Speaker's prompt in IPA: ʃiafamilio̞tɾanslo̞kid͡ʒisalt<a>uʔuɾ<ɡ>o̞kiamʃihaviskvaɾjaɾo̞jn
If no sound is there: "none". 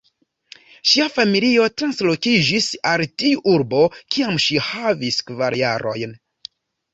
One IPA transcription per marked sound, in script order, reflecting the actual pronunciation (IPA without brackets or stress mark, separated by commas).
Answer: i, b